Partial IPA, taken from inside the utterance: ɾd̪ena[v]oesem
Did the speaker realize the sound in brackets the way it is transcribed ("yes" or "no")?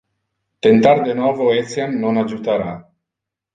yes